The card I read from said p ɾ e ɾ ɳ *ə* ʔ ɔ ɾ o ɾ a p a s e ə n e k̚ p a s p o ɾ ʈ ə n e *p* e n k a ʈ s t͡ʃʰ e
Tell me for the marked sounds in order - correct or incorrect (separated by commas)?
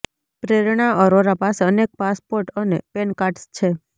incorrect, correct